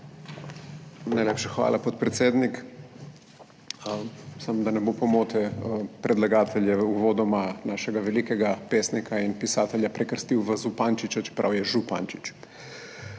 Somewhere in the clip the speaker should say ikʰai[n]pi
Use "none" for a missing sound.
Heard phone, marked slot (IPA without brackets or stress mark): n